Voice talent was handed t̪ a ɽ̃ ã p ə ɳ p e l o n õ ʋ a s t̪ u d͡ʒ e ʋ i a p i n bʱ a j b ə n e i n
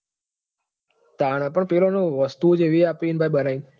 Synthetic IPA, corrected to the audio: t̪ a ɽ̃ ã p ə ɳ p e l o n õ ʋ ə s t̪ u d͡ʒ e ʋ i a p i n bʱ a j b ə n a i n